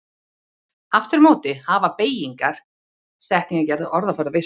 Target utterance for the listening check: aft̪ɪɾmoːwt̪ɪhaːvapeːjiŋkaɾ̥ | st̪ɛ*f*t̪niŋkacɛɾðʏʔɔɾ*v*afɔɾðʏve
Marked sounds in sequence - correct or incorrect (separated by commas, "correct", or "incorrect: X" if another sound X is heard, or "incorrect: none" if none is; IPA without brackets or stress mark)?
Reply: incorrect: h, incorrect: ð